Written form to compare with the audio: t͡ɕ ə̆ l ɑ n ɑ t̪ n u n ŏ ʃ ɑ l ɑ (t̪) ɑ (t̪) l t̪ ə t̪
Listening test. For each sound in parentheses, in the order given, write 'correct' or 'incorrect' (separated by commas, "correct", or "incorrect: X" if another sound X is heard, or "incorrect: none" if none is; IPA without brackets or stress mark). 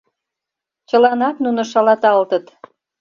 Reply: correct, incorrect: none